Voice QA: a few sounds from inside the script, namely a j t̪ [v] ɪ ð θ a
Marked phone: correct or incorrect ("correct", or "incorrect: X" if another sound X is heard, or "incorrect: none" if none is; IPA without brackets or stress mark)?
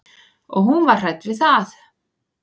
correct